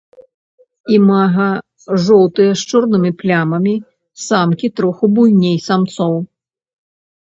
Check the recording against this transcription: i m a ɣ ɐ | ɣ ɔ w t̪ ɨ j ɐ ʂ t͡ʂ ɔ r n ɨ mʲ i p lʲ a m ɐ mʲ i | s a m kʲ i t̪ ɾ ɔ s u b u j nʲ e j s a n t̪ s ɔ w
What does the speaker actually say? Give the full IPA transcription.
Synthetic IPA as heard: i m a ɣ ɐ | ʐ ɔ w t̪ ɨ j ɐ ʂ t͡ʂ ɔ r n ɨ mʲ i p lʲ a m ɐ mʲ i | s a m kʲ i t̪ ɾ ɔ x u b u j nʲ e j s a m t̪ s ɔ w